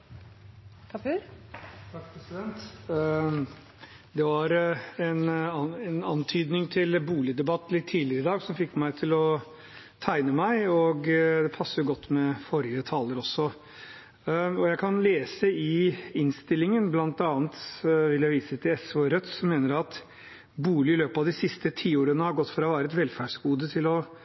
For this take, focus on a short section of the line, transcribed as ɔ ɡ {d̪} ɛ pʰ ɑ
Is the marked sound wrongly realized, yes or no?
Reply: no